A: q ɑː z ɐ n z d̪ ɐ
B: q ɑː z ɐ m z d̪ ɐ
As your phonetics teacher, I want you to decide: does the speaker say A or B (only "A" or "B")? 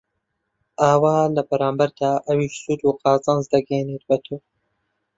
A